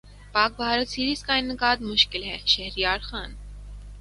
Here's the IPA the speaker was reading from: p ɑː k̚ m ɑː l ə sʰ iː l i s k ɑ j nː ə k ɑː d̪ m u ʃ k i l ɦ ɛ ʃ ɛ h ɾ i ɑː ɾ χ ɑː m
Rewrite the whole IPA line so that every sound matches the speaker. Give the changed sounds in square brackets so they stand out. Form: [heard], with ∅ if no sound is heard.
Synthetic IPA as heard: p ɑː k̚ [b] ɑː [ɾ] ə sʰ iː [ɾ] i s k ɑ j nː ə k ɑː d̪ m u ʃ k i l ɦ ɛ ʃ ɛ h ɾ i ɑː ɾ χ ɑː [n]

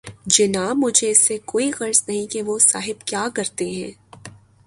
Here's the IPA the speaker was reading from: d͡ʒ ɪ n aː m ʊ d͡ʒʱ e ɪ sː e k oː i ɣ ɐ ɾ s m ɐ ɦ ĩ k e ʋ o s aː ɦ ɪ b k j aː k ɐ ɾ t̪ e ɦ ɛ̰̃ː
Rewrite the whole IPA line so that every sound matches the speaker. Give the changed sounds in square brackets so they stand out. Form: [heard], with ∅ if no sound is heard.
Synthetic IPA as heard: d͡ʒ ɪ n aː m ʊ d͡ʒʱ e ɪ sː e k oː i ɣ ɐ ɾ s [n] ɐ ɦ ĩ k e ʋ o s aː ɦ ɪ b k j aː k ɐ ɾ t̪ e ɦ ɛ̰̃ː

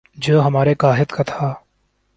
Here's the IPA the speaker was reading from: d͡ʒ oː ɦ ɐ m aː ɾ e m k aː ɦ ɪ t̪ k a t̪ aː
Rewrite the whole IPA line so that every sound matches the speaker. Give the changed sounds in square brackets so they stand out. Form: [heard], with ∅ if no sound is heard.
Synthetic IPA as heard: d͡ʒ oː ɦ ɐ m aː ɾ e [∅] k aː ɦ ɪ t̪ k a [t̪ʰ] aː

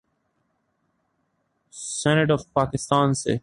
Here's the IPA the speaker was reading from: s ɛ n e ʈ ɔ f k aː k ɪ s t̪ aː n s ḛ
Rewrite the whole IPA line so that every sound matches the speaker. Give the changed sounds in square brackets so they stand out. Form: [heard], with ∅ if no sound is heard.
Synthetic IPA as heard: s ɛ n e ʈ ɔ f [p] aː k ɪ s t̪ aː n s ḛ

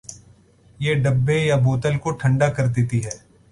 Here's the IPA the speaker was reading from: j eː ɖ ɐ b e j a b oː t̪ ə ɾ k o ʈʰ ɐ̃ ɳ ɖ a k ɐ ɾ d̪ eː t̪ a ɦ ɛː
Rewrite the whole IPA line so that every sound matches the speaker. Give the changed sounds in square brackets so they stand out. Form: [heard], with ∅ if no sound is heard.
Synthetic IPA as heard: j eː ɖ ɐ [bː] e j a b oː t̪ ə [l] k o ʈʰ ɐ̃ ɳ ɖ a k ɐ ɾ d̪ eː t̪ [i] ɦ ɛː

